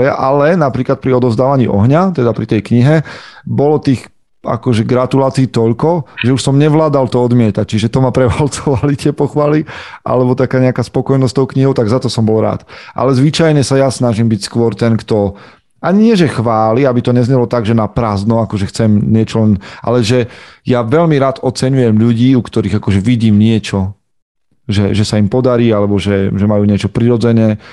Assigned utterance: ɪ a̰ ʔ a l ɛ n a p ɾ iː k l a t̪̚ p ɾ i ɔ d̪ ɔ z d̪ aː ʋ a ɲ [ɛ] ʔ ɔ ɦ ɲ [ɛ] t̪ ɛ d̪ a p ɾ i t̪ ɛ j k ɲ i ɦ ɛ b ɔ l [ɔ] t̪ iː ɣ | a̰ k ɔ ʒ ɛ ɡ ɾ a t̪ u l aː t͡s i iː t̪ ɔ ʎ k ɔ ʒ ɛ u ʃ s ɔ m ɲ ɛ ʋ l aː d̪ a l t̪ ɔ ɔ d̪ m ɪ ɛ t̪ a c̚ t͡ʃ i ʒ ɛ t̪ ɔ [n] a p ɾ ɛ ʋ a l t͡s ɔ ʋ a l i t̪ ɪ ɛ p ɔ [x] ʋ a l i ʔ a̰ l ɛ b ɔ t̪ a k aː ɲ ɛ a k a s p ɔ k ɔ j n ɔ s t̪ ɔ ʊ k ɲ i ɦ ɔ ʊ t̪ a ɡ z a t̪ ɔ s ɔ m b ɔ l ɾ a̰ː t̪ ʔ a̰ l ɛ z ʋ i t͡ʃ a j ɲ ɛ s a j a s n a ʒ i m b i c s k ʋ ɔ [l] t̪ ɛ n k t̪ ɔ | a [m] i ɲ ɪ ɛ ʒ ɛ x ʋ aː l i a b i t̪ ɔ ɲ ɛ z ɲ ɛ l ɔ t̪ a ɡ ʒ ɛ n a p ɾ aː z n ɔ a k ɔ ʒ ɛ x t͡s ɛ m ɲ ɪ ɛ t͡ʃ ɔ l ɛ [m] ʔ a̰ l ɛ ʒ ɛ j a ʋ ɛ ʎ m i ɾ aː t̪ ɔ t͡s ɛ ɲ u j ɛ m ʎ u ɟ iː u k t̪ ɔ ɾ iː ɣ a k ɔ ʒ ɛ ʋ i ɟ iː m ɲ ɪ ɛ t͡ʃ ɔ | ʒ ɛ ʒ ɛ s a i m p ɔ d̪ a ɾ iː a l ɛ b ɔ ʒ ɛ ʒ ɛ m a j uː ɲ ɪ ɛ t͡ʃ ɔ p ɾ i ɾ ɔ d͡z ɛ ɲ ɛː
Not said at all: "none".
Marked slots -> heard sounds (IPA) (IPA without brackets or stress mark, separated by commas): i, a, ɔ, m, x, ɾ, ɲ, n